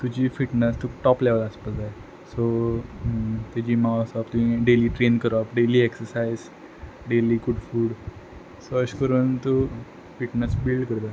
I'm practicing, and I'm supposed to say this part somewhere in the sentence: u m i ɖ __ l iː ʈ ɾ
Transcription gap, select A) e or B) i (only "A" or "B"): A